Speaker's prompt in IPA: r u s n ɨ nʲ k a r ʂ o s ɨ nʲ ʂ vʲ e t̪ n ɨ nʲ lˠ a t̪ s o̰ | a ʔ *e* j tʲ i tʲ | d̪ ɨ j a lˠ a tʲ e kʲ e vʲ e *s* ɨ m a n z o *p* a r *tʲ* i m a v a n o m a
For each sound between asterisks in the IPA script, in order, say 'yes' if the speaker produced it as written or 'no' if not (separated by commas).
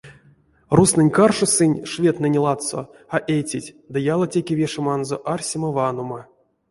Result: yes, no, no, no